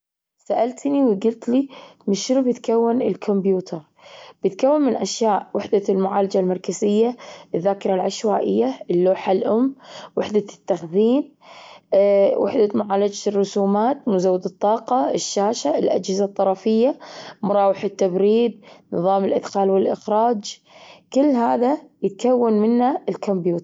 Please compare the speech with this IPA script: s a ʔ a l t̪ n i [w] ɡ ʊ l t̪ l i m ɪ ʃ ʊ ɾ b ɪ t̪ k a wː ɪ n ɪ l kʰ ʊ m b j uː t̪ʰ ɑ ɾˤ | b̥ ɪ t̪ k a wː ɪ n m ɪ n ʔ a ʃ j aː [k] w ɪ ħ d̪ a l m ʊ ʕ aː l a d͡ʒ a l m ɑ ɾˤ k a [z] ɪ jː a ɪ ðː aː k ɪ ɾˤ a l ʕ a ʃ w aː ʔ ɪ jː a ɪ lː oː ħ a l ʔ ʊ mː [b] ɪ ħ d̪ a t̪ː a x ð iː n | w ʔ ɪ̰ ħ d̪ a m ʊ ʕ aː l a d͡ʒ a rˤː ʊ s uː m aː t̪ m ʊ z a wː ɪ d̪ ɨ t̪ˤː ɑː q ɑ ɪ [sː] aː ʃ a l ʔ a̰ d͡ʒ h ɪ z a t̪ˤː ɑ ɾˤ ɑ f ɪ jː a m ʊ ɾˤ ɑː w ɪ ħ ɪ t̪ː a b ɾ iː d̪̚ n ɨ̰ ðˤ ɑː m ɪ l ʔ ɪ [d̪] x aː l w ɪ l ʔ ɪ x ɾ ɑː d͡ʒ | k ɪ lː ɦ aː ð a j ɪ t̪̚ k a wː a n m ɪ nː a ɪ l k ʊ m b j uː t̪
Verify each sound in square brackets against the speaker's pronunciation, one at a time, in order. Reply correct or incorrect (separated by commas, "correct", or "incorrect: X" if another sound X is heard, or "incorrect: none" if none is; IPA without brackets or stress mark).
correct, incorrect: ʔ, correct, incorrect: w, incorrect: ʃː, correct